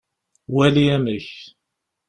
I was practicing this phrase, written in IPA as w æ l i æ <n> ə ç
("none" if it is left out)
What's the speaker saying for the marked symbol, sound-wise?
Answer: m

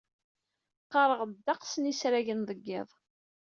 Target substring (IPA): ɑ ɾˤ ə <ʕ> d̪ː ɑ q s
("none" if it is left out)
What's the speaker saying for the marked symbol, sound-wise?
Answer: ʁ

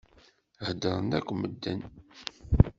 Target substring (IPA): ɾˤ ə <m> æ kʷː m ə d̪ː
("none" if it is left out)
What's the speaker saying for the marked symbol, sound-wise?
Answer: n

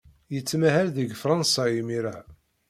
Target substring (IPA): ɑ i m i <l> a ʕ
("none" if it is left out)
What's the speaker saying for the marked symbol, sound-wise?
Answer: ɾ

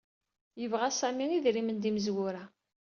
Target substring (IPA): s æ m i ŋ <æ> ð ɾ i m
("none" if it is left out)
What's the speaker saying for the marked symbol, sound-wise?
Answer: i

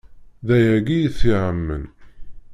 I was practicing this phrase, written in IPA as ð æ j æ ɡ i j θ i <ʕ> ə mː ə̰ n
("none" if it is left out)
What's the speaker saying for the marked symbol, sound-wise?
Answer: ʕ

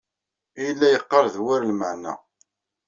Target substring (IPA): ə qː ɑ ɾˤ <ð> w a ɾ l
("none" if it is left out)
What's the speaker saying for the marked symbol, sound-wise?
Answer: ð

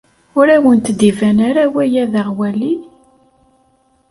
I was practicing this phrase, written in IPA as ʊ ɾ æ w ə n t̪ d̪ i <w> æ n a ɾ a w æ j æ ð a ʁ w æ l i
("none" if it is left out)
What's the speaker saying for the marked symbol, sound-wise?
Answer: v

